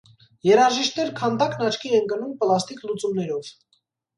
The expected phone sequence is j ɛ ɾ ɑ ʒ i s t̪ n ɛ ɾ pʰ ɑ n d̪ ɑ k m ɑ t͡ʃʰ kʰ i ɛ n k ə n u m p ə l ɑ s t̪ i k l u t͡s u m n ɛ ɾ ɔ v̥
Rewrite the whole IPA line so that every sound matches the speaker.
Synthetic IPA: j ɛ ɾ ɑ ʒ i ʃ t̪ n ɛ ɾ kʰ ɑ n d̪ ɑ k n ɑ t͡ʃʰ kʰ i ɛ n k ə n u m p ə l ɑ s t̪ i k l u t͡s u m n ɛ ɾ ɔ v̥